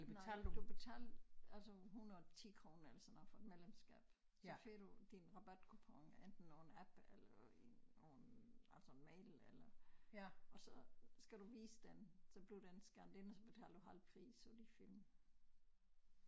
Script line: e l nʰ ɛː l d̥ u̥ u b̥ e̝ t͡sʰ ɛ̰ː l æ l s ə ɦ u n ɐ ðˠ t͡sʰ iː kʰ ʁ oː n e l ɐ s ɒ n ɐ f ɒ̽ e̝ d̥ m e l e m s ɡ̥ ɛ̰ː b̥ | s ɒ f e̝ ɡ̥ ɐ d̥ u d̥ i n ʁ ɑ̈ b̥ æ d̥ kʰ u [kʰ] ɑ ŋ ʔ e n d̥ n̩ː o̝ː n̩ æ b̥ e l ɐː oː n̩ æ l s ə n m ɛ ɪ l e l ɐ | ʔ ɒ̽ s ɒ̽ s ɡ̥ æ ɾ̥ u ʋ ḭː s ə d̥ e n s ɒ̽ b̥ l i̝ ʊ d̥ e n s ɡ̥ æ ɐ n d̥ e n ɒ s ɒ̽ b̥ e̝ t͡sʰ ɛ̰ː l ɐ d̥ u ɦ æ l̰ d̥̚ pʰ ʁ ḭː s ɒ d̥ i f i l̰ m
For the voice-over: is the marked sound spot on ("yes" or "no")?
no